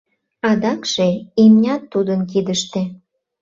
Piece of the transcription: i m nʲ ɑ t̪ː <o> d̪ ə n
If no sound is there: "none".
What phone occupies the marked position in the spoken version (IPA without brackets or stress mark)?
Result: u